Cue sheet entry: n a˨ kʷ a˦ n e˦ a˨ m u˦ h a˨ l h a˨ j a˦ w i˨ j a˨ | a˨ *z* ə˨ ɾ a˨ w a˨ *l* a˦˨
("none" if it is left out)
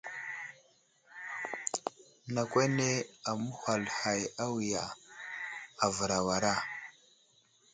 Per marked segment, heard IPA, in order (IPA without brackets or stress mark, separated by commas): v, ɾ